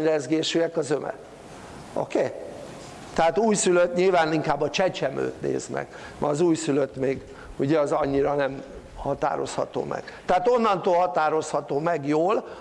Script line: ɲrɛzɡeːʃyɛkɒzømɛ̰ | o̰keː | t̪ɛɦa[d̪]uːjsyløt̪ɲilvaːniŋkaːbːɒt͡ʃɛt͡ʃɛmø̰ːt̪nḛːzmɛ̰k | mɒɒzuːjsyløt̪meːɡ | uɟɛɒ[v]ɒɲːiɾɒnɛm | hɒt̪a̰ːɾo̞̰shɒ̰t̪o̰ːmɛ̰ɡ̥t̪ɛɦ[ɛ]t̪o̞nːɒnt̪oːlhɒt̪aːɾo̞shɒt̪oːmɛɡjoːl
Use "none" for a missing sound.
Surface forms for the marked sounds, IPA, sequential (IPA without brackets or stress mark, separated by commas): t̪, z, a